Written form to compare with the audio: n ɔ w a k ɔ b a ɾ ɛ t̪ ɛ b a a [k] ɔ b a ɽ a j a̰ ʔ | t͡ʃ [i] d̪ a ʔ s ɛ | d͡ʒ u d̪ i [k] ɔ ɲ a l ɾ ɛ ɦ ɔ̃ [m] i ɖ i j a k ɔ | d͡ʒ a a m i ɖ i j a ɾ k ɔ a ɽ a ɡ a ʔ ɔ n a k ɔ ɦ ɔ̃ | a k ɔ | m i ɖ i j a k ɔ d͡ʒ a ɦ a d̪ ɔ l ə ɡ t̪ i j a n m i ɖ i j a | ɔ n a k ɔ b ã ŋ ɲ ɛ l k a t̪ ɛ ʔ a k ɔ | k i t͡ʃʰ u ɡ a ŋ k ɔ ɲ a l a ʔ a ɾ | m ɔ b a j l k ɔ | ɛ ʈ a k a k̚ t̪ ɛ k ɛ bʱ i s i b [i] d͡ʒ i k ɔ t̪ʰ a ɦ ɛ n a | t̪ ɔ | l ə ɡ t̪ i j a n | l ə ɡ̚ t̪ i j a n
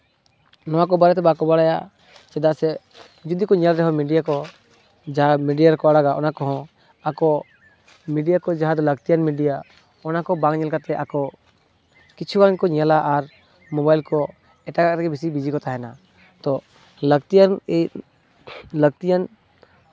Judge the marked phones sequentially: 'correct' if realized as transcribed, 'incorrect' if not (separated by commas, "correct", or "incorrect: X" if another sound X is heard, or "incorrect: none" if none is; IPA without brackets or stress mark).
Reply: correct, incorrect: ɛ, correct, correct, correct